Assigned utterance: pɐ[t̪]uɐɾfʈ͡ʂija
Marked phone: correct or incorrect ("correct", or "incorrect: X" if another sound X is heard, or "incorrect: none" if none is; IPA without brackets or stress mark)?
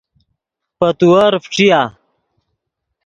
correct